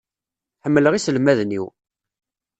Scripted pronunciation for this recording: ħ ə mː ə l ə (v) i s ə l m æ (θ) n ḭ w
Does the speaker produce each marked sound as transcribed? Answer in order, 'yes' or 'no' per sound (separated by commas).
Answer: no, no